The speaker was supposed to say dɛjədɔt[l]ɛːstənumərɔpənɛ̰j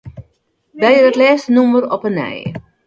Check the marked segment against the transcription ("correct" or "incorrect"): correct